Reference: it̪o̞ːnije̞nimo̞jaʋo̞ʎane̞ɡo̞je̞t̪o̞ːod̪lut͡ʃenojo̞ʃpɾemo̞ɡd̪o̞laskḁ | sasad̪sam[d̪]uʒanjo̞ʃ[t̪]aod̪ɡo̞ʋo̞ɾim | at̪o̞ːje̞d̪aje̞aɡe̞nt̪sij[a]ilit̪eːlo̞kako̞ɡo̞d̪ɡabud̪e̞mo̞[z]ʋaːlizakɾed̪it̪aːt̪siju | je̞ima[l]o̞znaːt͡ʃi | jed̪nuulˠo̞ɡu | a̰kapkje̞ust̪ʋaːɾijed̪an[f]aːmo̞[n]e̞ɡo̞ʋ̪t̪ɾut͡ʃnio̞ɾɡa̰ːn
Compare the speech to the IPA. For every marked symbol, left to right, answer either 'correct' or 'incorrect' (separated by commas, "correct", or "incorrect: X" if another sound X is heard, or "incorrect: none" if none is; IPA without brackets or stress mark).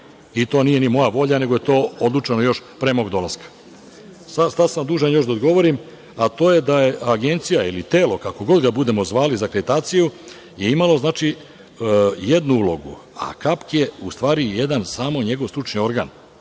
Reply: correct, incorrect: d̪, correct, correct, correct, incorrect: s, incorrect: ɲ